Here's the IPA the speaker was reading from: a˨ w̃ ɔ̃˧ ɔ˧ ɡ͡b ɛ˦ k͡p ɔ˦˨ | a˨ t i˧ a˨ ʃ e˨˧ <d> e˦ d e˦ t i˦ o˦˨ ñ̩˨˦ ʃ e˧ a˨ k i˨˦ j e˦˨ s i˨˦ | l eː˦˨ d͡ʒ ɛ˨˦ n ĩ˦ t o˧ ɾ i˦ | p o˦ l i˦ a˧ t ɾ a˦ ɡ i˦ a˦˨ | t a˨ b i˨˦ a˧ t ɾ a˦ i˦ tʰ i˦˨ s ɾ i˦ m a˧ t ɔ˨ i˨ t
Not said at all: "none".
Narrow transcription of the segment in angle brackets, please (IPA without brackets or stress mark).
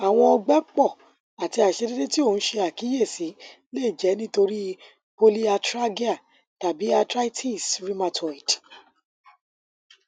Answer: d